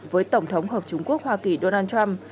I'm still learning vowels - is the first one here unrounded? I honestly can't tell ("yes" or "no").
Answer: yes